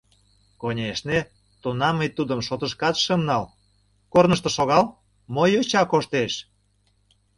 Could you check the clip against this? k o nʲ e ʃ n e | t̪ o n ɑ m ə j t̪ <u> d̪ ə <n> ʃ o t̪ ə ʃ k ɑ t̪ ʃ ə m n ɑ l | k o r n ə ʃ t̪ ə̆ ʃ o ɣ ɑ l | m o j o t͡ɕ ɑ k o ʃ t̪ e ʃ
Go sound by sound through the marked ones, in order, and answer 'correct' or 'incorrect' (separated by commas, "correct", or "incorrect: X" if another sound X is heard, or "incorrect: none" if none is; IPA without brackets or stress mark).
correct, incorrect: m